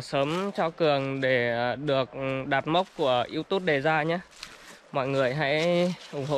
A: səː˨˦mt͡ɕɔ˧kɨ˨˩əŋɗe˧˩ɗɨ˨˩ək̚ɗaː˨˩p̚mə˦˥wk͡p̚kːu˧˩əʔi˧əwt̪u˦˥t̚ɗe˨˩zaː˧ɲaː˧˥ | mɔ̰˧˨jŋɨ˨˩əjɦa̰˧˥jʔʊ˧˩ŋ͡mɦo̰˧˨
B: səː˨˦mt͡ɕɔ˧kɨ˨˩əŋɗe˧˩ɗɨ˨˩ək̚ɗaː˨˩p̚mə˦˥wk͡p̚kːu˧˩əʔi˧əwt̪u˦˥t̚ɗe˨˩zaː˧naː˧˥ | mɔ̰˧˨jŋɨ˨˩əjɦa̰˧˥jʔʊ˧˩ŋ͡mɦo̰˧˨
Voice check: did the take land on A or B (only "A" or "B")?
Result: A